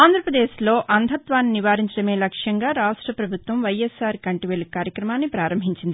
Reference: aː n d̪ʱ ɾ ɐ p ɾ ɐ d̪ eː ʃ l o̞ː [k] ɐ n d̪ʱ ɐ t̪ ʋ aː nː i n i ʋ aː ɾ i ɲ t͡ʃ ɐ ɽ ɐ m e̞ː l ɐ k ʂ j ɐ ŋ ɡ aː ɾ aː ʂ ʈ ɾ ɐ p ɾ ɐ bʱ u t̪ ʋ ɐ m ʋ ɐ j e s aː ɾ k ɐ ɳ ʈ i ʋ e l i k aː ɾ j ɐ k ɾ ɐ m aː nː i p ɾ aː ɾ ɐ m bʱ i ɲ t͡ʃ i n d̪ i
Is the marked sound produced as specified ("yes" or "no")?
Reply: no